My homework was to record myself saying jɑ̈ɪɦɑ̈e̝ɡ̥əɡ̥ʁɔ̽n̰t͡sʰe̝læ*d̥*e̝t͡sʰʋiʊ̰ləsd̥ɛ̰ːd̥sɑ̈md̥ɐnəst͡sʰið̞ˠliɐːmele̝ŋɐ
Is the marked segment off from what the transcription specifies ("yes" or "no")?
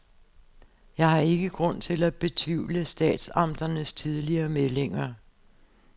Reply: yes